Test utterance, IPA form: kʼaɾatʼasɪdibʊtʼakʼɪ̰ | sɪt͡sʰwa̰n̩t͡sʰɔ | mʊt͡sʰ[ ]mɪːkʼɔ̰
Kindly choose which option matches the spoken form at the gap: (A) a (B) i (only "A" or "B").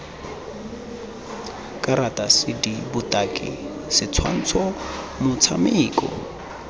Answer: A